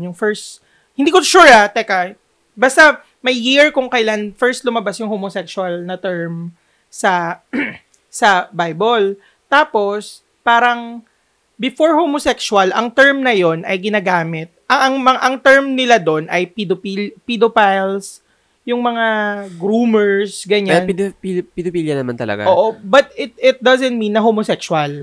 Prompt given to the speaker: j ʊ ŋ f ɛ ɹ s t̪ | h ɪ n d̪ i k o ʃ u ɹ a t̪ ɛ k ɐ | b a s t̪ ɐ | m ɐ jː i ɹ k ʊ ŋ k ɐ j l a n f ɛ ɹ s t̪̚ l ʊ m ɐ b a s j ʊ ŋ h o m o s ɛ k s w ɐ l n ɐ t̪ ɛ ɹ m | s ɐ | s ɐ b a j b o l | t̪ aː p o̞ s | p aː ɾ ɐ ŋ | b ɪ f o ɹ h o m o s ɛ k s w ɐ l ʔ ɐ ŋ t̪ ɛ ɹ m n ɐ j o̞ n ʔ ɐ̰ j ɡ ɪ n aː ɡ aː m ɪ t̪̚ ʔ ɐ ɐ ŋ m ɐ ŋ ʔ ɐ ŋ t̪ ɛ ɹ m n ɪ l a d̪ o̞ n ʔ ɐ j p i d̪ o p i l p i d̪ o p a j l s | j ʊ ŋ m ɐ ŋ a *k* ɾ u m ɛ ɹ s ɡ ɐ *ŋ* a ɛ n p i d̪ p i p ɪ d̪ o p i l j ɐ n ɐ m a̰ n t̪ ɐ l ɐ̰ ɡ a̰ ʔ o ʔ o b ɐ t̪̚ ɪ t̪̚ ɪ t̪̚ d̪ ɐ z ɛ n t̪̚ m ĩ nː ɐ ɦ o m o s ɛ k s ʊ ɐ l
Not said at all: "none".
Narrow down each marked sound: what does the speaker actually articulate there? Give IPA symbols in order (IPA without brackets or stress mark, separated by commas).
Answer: ɡ, ɲ